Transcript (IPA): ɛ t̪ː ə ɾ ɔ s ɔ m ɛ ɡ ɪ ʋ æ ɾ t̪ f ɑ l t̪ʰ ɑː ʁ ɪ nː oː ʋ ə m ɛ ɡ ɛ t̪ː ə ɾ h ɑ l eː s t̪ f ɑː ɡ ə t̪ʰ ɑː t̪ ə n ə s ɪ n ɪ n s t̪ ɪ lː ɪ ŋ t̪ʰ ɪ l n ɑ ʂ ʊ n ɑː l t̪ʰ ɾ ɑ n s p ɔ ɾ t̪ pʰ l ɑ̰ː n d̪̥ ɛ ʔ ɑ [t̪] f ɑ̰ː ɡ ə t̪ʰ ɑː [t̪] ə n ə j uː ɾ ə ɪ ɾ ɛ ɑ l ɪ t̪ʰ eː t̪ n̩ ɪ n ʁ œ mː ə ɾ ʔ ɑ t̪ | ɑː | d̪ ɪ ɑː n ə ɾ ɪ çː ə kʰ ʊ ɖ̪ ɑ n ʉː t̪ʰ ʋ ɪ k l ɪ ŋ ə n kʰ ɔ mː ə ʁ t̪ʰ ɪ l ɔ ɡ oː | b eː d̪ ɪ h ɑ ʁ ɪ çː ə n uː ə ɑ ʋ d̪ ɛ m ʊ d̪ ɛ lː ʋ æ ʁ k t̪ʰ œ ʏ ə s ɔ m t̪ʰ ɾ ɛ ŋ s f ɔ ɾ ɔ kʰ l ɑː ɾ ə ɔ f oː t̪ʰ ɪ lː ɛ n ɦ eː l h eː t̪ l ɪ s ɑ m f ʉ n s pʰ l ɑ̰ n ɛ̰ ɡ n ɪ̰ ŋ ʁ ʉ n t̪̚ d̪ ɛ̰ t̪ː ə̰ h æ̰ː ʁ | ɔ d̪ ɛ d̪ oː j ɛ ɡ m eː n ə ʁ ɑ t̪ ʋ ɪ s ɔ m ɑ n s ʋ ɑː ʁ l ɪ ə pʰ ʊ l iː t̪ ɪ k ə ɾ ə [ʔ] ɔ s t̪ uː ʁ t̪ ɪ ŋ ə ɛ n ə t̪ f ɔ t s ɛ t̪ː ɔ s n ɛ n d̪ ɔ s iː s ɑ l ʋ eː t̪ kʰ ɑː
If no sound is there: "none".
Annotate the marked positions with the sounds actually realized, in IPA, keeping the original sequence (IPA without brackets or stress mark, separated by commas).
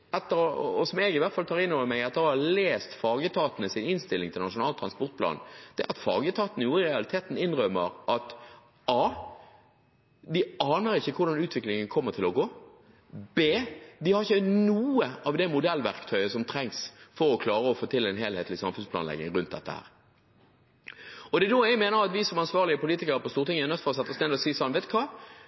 t̪, t̪, p